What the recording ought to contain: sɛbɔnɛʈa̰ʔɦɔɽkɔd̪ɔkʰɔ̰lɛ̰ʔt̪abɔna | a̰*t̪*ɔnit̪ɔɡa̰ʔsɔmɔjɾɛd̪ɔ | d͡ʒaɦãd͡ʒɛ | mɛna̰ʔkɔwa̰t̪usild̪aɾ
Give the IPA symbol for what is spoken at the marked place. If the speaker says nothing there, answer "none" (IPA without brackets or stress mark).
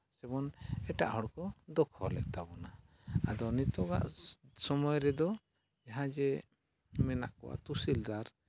d̪